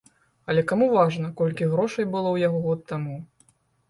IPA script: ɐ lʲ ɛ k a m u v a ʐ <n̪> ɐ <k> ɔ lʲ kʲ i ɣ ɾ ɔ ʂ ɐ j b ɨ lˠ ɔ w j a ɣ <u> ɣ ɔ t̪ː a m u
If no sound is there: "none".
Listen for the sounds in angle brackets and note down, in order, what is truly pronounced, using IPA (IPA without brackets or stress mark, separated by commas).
n̪, k, ɔ